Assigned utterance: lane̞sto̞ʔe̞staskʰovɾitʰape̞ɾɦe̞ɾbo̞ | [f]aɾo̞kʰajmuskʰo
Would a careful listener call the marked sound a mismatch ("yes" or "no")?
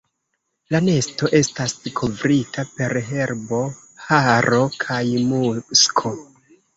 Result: yes